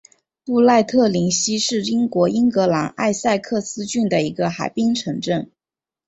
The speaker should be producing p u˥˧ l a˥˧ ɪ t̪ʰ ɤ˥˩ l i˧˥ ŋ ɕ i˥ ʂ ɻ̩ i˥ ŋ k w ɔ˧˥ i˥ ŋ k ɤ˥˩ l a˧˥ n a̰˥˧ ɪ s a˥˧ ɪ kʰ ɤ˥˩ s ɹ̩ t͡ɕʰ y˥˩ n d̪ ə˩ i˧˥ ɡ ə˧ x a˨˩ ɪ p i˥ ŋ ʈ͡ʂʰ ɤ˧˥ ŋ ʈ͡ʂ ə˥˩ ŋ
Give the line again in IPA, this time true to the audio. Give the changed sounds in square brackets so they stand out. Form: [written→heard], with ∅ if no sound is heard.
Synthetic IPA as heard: p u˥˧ l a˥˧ ɪ t̪ʰ ɤ˥˩ l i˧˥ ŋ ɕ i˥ ʂ ɻ̩ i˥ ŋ k w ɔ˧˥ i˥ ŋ k [ɤ˥˩→ɤ˧˥] l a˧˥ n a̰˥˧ ɪ s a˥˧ ɪ kʰ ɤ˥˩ s ɹ̩ [t͡ɕʰ→t͡ɕ] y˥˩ n d̪ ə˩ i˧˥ ɡ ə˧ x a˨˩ ɪ p i˥ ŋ ʈ͡ʂʰ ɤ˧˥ ŋ ʈ͡ʂ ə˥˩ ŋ